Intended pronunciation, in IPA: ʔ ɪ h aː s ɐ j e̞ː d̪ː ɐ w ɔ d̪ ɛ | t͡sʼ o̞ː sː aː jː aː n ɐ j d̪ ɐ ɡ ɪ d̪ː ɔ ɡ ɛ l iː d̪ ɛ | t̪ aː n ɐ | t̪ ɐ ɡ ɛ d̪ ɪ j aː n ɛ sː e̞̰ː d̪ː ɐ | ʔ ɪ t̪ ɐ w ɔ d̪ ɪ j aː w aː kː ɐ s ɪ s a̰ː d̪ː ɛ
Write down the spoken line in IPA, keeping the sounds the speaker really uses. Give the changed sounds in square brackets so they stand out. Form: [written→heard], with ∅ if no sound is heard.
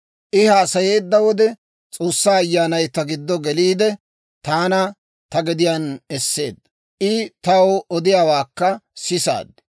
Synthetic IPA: ʔ ɪ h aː s ɐ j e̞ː d̪ː ɐ w ɔ d̪ ɛ | t͡sʼ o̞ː sː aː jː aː n ɐ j [d̪→t̪] ɐ ɡ ɪ d̪ː ɔ ɡ ɛ l iː d̪ ɛ | t̪ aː n ɐ | t̪ ɐ ɡ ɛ d̪ ɪ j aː n ɛ sː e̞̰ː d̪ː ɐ | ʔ ɪ t̪ ɐ w ɔ d̪ ɪ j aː w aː kː ɐ s ɪ s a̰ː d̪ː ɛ